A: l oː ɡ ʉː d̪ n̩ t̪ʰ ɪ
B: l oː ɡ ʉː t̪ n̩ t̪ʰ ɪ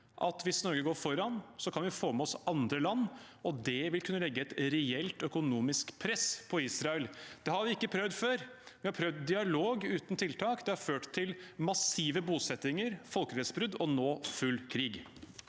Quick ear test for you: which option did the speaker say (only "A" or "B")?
B